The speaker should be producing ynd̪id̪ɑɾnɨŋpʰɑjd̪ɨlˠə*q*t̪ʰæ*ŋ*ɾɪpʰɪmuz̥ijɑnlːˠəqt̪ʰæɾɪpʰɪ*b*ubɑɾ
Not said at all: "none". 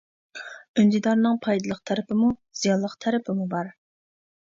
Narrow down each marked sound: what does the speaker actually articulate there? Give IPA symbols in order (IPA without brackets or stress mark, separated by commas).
q, none, m